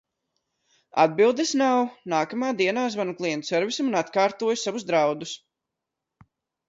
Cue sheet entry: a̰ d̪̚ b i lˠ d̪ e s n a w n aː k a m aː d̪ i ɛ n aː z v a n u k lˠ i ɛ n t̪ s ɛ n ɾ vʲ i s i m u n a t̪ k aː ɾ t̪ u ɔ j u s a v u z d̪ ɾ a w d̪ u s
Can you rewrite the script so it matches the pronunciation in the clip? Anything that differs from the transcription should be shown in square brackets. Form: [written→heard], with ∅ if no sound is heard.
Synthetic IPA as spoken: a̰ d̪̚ b i lˠ d̪ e s n a w n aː k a m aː d̪ i ɛ n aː z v a n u k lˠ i ɛ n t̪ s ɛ [n→∅] ɾ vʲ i s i m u n a t̪ k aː ɾ t̪ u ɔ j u s a v u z d̪ ɾ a w d̪ u s

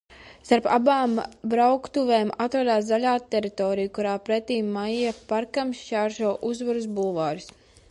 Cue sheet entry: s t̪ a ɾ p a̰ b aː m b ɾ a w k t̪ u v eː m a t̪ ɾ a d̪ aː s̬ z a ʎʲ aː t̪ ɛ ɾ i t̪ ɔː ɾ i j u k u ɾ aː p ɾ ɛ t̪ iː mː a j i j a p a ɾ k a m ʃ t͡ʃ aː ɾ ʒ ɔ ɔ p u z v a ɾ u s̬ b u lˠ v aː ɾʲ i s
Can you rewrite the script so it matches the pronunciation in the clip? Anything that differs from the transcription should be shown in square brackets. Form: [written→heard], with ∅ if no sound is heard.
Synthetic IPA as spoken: s t̪ a ɾ p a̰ b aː m b ɾ a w k t̪ u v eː m a t̪ ɾ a d̪ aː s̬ z a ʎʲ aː t̪ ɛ ɾ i t̪ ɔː ɾ i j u k u ɾ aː p ɾ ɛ t̪ iː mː a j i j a p a ɾ k a m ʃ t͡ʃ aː ɾ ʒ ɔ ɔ [p→ʔ] u z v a ɾ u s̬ b u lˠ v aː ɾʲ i s

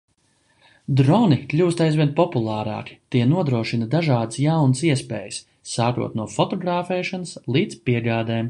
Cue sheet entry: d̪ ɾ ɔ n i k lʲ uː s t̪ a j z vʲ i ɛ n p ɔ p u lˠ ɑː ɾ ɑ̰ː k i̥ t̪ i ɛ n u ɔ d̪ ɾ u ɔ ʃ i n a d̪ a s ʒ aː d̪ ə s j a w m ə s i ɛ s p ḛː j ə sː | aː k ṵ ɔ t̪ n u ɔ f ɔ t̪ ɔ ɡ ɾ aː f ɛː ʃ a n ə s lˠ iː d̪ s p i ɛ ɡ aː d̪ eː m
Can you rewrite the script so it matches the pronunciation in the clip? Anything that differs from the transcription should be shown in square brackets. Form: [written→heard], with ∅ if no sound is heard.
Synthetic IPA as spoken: d̪ ɾ ɔ n i k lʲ uː s t̪ a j z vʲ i ɛ n p ɔ p u lˠ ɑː ɾ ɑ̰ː k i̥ t̪ i ɛ n u ɔ d̪ ɾ u ɔ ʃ i n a d̪ a [s→∅] ʒ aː d̪ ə s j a w [m→n] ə s i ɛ s p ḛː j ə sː | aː k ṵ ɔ t̪ n u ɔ f ɔ t̪ ɔ ɡ ɾ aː f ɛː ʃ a n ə s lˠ iː d̪ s p i ɛ ɡ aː d̪ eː m

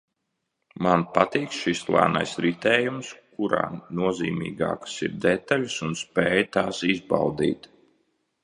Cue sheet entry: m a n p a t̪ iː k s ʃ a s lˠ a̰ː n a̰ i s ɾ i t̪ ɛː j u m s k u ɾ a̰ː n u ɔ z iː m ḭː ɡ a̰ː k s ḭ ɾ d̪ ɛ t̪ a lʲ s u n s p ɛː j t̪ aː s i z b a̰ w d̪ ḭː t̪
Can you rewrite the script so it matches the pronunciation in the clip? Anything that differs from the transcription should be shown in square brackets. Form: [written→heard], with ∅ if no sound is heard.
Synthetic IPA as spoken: m a n p a t̪ iː k s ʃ [a→i] s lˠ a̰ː n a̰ [i→j] s ɾ i t̪ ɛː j u m s k u ɾ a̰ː n u ɔ z iː m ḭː ɡ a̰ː k s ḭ ɾ d̪ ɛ t̪ a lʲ s u n s p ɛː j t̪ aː s i z b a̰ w d̪ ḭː t̪

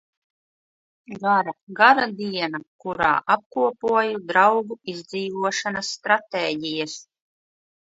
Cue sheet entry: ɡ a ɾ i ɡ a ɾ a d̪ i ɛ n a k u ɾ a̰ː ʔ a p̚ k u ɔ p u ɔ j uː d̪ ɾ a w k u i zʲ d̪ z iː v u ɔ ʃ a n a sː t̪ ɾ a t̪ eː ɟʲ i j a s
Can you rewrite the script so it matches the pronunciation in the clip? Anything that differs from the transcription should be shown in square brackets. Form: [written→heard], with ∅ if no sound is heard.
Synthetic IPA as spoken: ɡ a ɾ [i→a] ɡ a ɾ a d̪ i ɛ n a k u ɾ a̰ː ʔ a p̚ k u ɔ p u ɔ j [uː→u] d̪ ɾ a w [k→ɡ] u i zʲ d̪ z iː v u ɔ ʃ a n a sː t̪ ɾ a t̪ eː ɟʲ i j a s

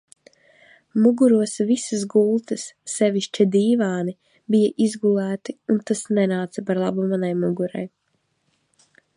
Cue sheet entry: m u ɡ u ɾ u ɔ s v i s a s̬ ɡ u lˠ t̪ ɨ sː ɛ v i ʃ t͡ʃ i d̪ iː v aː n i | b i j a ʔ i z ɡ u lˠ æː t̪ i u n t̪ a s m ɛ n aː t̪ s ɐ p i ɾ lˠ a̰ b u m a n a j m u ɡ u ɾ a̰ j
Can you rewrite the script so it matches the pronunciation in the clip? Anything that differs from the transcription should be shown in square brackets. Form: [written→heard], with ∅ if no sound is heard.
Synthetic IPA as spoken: m u ɡ u ɾ u ɔ s v i s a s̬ ɡ u lˠ t̪ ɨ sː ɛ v i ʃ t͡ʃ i d̪ iː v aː n i | b i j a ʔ i z ɡ u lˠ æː t̪ i u n t̪ a s [m→n] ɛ n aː t̪ s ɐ p [i→a] ɾ lˠ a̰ b u m a n a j m u ɡ u ɾ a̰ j

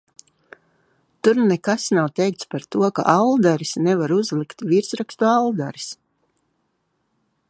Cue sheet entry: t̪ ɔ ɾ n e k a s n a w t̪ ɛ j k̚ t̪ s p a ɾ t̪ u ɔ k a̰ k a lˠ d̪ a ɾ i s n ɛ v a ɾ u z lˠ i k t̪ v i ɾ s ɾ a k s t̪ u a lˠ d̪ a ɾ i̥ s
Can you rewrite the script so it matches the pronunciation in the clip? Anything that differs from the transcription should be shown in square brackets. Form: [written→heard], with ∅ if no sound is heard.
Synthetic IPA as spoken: t̪ [ɔ→u] ɾ n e k a s n a w t̪ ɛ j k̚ t̪ s p a ɾ t̪ u ɔ k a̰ [k→ʔ] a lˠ d̪ a ɾ i s n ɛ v a ɾ u z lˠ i k t̪ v i ɾ s ɾ a k s t̪ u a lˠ d̪ a ɾ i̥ s

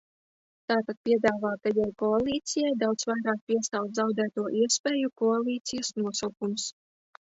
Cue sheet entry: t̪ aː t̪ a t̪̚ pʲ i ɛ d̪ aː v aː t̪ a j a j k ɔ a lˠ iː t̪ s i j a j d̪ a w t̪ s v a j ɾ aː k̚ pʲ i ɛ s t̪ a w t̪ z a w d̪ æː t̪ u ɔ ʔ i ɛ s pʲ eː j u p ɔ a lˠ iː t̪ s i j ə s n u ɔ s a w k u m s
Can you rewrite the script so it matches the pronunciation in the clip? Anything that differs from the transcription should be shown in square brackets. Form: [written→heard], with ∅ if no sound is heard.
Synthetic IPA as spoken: t̪ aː t̪ a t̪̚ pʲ i ɛ d̪ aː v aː t̪ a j a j k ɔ a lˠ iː t̪ s i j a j d̪ a w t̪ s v a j ɾ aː k̚ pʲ i ɛ s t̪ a w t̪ z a w d̪ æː t̪ u ɔ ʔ i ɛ s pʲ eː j u [p→k] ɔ a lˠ iː t̪ s i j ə s n u ɔ s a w k u m s

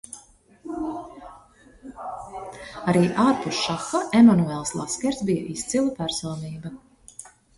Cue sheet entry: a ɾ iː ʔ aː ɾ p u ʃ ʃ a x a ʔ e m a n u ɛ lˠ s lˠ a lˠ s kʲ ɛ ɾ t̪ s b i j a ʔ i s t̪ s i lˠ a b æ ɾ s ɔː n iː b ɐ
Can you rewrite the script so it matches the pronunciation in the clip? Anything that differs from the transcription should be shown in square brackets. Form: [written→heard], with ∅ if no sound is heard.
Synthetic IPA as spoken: a ɾ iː ʔ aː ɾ p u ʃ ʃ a x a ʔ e m a n u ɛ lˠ s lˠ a [lˠ→∅] s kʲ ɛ ɾ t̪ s b i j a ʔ i s t̪ s i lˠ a [b→p] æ ɾ s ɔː n iː b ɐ

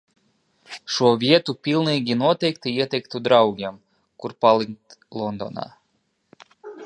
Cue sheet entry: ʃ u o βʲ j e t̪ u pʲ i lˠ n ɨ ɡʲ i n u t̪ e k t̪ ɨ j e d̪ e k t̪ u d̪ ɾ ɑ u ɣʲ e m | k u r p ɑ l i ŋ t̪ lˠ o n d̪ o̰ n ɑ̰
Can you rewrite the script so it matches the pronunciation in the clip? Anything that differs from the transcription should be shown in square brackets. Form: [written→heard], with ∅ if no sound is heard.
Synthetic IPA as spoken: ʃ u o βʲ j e t̪ u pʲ i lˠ n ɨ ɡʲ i n [u→o] t̪ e k t̪ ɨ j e [d̪→t̪] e k t̪ u d̪ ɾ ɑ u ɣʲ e m | k u r p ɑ l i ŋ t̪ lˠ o n d̪ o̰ n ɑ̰

